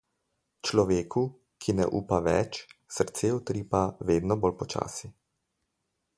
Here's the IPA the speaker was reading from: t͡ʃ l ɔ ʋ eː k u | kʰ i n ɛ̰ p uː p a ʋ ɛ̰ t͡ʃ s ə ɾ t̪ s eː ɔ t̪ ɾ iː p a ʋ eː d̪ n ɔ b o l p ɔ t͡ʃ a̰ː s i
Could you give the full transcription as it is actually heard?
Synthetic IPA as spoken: t͡ʃ l ɔ ʋ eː k u | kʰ i n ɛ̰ ʔ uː p a ʋ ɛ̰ t͡ʃ s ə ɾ t̪ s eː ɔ t̪ ɾ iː p a ʋ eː d̪ n ɔ b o l p ɔ t͡ʃ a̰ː s i

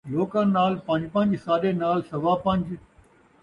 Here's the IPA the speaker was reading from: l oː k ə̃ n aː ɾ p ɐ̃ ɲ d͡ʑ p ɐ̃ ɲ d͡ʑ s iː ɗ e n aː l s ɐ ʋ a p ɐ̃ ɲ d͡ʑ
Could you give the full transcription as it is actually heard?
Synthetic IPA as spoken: l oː k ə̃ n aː l p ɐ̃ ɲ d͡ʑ p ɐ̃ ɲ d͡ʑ s aː ɗ e n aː l s ɐ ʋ a p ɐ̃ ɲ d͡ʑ

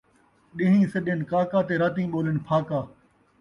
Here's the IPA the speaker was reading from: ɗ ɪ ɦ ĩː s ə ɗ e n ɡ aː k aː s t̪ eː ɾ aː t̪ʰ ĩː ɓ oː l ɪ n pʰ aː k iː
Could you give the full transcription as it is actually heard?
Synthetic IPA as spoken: ɗ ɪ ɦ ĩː s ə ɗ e n k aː k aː t̪ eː ɾ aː t̪ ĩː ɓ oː l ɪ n pʰ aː k aː

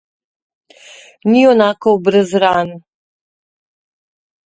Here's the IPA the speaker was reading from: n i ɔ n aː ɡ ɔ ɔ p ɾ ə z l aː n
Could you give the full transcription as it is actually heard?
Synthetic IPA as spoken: n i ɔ n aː k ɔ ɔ b ɾ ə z ɾ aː n

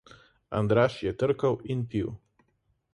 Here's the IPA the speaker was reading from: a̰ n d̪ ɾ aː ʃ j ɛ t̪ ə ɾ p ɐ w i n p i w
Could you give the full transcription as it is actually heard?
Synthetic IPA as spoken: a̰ n d̪ ɾ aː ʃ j ɛ t̪ ə ɾ k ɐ w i n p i w

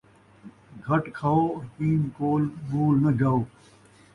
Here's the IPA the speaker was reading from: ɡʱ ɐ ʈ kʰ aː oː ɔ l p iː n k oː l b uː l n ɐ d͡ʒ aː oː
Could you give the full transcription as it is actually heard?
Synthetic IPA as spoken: ɡʱ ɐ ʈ kʰ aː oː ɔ ɾ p iː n k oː l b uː l n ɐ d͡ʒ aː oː

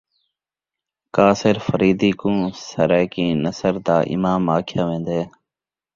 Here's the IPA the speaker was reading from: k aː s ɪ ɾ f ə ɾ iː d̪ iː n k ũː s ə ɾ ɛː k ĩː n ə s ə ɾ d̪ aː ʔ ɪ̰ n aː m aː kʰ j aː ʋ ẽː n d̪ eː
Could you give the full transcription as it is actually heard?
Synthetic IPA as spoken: k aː s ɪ ɾ f ə ɾ iː d̪ iː k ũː s ə ɾ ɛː k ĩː n ə s ə ɾ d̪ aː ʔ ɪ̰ m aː m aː kʰ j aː ʋ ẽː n d̪ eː

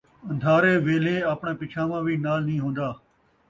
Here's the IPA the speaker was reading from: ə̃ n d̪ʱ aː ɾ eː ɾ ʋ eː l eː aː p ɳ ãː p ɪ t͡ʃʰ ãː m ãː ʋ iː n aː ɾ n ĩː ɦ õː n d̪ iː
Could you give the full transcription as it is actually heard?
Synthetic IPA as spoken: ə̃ n d̪ʱ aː ɾ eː ʋ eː l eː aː p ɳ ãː p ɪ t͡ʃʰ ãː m ãː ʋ iː n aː l n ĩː ɦ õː n d̪ aː

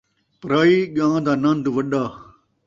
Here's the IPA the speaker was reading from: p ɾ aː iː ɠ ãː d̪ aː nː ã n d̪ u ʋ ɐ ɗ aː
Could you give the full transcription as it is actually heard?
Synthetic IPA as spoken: p ɾ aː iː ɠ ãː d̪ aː n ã n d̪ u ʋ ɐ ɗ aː

